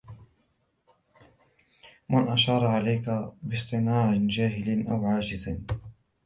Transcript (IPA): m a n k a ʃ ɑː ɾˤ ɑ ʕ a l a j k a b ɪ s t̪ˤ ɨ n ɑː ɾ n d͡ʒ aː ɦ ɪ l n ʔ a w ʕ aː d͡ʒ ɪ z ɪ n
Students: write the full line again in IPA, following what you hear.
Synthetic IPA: m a n ʔ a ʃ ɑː ɾˤ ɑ ʕ a l a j k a b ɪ s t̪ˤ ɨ n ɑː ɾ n d͡ʒ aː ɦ ɪ l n ʔ a w ʕ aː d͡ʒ ɪ z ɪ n